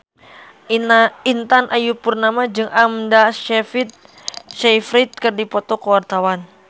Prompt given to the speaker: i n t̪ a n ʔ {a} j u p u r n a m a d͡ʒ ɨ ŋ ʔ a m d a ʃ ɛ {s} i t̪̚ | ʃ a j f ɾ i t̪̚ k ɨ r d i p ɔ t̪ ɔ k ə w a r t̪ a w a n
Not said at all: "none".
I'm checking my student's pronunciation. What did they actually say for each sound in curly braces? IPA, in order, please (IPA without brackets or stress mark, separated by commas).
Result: a, f